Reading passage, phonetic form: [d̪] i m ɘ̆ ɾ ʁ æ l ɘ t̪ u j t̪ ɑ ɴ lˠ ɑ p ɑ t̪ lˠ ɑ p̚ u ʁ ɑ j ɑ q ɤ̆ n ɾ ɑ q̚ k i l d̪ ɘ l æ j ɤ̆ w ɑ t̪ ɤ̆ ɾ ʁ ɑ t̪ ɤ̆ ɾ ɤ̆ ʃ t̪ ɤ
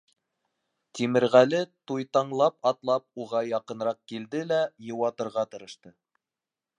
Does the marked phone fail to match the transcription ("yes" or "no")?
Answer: yes